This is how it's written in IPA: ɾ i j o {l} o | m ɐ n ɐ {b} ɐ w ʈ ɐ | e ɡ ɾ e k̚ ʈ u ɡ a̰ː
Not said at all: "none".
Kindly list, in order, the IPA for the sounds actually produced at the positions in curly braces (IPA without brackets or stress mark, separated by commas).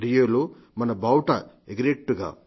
l, b